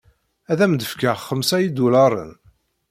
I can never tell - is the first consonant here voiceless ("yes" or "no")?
no